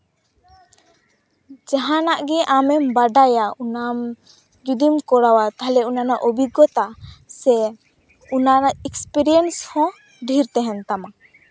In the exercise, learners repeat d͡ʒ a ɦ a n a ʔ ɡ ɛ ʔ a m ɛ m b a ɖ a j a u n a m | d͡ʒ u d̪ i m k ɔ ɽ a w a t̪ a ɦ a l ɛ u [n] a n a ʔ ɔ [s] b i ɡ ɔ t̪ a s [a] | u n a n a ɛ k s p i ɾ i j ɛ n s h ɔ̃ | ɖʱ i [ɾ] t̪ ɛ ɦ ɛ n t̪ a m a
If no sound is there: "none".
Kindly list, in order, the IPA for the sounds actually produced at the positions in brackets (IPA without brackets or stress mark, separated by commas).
n, none, ɛ, ɾ